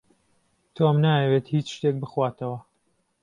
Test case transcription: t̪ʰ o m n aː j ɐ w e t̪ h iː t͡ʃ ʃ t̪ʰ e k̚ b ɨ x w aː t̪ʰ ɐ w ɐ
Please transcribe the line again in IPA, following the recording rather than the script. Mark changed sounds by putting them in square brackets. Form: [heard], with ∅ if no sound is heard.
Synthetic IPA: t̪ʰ o m n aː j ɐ w e t̪ h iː t͡ʃ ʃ [t̪] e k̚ b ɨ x w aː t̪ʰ ɐ w ɐ